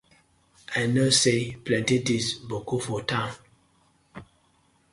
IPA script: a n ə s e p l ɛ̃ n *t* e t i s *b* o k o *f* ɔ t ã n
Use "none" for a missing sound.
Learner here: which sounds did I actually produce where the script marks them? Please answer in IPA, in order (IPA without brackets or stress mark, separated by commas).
t, b, f